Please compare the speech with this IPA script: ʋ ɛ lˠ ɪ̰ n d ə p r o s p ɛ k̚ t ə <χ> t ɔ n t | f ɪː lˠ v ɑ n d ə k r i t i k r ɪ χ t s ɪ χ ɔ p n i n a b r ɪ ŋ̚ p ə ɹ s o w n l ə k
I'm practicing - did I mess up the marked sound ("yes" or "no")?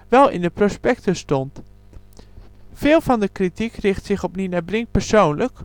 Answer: yes